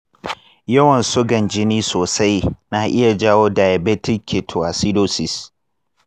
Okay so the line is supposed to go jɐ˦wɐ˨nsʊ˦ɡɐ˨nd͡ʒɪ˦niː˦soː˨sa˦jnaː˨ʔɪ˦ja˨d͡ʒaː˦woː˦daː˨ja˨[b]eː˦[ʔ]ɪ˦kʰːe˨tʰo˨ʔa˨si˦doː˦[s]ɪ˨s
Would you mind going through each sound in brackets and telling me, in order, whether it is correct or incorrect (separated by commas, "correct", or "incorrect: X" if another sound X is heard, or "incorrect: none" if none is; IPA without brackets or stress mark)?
correct, incorrect: t, correct